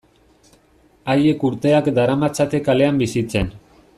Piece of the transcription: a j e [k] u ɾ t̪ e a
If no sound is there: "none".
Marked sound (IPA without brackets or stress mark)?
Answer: k